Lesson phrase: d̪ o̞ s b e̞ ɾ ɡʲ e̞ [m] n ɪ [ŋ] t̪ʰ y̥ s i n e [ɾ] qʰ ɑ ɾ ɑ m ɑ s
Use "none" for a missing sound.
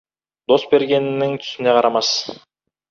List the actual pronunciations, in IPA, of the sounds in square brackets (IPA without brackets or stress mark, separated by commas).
n, ŋ, none